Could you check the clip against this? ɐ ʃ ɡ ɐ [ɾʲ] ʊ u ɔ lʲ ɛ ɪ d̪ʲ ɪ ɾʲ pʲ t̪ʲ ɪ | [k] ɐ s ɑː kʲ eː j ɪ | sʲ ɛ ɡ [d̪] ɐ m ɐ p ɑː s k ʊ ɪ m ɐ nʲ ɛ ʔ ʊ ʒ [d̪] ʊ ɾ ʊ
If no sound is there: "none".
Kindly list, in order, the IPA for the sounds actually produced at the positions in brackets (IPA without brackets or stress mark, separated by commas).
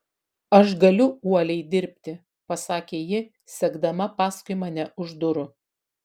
lʲ, p, d̪, d̪